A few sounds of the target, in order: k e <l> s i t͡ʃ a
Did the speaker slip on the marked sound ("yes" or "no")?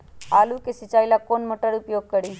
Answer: yes